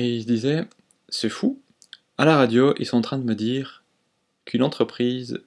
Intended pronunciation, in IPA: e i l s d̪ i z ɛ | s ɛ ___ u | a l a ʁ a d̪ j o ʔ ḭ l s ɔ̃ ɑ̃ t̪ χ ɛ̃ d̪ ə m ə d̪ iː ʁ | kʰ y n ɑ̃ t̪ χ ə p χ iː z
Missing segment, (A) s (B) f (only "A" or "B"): B